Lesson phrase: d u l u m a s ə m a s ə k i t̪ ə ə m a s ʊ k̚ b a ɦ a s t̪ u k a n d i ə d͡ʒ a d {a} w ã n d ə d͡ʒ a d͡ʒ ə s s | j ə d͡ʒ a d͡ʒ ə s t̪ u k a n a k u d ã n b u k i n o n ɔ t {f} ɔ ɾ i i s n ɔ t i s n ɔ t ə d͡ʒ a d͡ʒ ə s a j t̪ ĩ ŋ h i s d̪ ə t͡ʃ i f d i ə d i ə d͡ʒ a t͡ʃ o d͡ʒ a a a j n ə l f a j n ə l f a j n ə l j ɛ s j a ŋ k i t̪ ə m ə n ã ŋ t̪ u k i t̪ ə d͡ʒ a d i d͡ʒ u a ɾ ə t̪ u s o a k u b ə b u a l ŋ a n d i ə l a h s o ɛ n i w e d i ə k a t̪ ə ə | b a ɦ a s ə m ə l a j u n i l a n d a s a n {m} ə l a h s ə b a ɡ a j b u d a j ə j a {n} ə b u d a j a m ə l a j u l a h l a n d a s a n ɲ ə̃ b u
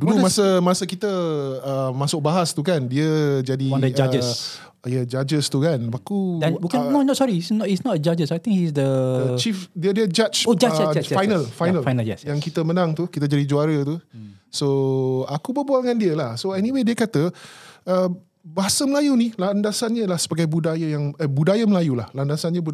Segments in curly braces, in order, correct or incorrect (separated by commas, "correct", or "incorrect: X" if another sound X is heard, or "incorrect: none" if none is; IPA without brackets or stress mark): incorrect: i, incorrect: s, incorrect: ɲ, incorrect: ŋ